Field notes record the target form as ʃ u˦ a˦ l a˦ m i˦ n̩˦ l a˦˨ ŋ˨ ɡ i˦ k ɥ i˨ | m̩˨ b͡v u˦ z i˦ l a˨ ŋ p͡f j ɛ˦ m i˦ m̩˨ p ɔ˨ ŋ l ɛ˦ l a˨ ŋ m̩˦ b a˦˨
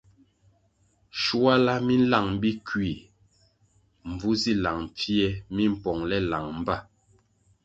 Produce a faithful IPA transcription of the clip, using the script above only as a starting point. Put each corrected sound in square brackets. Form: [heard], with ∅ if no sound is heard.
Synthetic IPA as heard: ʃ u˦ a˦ l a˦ m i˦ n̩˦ l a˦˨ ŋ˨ [b] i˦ k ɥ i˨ | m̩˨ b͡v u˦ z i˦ l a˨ ŋ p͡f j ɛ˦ m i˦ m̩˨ p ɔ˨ ŋ l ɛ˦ l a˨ ŋ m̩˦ b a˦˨

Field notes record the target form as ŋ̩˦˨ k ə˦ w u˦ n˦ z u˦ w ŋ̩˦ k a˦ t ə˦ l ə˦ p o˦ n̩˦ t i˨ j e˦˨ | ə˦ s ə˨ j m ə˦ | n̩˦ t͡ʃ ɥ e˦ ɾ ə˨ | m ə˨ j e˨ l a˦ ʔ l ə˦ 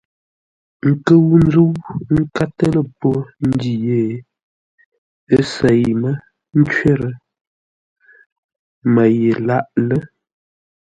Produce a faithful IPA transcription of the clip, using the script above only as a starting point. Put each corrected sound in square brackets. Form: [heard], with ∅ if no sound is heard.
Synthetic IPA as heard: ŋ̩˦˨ k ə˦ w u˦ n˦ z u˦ w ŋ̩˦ k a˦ t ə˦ l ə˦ p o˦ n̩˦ [d] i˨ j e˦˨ | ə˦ s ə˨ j m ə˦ | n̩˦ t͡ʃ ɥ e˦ ɾ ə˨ | m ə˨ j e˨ l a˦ ʔ l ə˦

